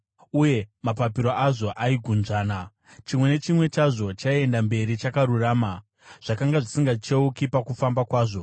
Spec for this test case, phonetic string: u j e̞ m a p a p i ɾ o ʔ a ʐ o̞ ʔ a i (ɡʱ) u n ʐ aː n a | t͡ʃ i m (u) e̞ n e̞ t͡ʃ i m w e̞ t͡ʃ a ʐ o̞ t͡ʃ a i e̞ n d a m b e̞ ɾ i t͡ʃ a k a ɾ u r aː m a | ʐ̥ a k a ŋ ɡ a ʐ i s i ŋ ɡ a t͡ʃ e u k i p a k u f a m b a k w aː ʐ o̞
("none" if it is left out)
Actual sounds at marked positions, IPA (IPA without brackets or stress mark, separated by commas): ɡʱ, w